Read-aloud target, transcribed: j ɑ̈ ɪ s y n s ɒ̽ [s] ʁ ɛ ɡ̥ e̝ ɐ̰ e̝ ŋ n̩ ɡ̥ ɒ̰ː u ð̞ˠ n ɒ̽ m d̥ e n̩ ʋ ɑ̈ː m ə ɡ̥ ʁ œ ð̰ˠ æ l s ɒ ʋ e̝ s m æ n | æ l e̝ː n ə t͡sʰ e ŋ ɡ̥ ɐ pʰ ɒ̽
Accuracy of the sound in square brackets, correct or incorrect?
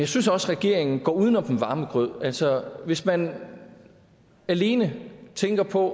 correct